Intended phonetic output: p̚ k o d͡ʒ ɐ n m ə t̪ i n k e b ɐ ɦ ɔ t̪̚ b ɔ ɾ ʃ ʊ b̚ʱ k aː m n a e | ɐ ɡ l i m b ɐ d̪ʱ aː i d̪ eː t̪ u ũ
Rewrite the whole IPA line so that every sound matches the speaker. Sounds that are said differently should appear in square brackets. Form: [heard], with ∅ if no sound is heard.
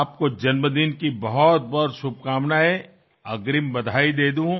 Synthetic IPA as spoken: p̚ k o d͡ʒ ɐ n m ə [d̪] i n k [i] b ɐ ɦ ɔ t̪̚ b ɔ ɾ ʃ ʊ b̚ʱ k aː m n a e | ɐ ɡ [ɾ] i m b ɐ d̪ʱ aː i d̪ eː [d̪] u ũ